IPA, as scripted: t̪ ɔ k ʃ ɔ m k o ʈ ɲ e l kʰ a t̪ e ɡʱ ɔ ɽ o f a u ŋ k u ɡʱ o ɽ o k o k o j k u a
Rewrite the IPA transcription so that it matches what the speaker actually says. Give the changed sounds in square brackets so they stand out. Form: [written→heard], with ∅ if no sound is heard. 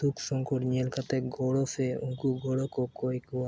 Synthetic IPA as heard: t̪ [ɔ→u] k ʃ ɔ [m→ŋ] k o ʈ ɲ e l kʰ a t̪ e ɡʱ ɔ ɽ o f [a→e] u ŋ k u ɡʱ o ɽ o k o k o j k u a

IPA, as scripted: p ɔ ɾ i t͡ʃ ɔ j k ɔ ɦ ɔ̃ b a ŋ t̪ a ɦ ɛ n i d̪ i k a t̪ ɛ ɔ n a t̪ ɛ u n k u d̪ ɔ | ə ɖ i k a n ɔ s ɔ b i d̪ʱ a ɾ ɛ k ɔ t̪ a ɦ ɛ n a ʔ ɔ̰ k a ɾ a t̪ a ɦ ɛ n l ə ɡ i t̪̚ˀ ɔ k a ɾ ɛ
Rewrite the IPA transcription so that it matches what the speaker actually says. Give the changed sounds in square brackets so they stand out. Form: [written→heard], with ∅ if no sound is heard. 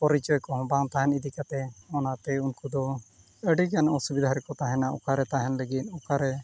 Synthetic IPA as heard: p ɔ ɾ i t͡ʃ ɔ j k ɔ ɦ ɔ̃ b a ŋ t̪ a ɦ ɛ n i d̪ i k a t̪ ɛ ɔ n a t̪ ɛ u n k u d̪ ɔ | ə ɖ i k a n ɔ s [ɔ→u] b i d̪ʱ a ɾ ɛ k ɔ t̪ a ɦ ɛ n a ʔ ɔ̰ k a ɾ [a→ɛ] t̪ a ɦ ɛ n l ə ɡ i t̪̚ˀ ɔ k a ɾ ɛ

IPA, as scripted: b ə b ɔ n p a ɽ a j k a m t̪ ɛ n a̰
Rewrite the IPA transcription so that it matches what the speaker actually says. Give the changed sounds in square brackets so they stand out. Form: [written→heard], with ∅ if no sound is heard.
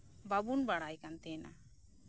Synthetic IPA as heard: b [ə→a] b [ɔ→u] n [p→b] a ɽ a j k a [m→n] t̪ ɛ n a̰

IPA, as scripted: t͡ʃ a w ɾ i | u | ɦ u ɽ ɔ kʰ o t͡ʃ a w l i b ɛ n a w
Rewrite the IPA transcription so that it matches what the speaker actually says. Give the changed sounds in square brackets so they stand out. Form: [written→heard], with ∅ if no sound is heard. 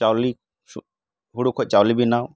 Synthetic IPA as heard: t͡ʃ a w [ɾ→l] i | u | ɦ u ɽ [ɔ→u] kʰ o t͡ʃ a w l i b [ɛ→i] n a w

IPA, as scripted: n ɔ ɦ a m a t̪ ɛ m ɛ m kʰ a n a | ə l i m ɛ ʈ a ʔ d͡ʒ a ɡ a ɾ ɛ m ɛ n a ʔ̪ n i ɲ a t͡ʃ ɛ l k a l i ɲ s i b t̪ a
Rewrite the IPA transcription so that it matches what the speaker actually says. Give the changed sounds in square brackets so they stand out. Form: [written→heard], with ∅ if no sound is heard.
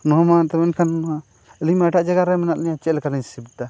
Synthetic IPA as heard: n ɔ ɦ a m a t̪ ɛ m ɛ [m→n] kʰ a n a | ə l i m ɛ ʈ a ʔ d͡ʒ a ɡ a ɾ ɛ m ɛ n a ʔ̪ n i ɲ a t͡ʃ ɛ l k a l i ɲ s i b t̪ a

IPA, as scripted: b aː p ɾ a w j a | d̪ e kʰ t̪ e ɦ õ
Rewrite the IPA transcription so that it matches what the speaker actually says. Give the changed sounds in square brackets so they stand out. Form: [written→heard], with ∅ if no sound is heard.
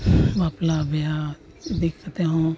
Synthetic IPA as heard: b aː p [ɾ→l] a [w→b] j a | d̪ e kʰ t̪ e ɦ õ

